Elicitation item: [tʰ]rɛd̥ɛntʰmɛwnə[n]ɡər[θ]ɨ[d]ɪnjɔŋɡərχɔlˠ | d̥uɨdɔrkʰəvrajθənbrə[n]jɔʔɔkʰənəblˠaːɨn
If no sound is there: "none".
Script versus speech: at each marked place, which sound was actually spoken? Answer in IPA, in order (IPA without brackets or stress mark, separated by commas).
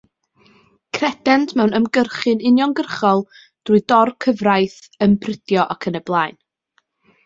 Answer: kʰ, m, χ, n, d